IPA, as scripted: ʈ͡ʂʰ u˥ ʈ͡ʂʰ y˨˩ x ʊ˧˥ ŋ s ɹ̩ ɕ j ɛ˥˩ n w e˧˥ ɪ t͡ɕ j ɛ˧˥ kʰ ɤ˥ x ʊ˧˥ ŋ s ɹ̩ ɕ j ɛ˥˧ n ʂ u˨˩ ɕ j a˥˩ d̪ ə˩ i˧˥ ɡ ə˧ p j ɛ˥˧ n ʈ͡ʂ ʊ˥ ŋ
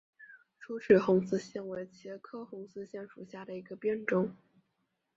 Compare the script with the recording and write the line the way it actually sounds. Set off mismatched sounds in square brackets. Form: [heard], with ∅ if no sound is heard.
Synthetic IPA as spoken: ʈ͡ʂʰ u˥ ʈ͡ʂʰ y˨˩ x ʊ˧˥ ŋ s ɹ̩ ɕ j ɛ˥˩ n w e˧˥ ɪ [t͡ɕʰ] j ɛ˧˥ kʰ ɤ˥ x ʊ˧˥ ŋ s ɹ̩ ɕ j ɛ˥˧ n ʂ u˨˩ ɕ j a˥˩ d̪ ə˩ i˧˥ ɡ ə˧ p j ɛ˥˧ n ʈ͡ʂ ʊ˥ ŋ